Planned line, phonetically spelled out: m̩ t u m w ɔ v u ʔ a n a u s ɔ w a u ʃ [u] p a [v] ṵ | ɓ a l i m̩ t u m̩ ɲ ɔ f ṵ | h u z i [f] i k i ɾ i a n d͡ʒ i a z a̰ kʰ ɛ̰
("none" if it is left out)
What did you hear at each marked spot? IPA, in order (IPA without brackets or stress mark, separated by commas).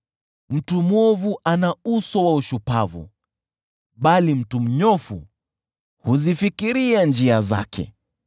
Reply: u, v, f